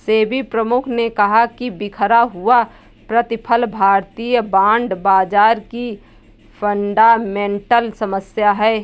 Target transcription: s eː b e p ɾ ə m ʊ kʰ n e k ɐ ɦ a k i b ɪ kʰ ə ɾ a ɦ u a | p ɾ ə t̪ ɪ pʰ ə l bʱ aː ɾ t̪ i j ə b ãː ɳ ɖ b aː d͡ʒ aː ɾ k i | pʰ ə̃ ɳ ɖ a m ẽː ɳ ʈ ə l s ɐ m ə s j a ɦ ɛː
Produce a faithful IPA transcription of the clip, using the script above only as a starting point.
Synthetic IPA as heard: s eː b i p ɾ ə m ʊ kʰ n e k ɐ ɦ a k i b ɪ kʰ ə ɾ a ɦ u a | p ɾ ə t̪ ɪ pʰ ə l bʱ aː ɾ t̪ i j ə b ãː ɳ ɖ b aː d͡ʒ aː ɾ k i | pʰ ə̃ ɳ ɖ a m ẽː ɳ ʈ ə l s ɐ m ə s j a ɦ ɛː